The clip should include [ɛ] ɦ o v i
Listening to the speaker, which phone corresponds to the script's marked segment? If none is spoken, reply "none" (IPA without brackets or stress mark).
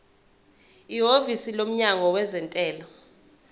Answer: i